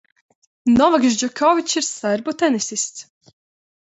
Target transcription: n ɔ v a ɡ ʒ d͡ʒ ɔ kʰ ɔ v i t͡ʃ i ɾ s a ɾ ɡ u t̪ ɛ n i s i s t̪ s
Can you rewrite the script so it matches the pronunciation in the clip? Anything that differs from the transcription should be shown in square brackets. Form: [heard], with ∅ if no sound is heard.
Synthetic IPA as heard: n ɔ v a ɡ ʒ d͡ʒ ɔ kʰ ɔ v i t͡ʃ i ɾ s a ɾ [b] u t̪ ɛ n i s i s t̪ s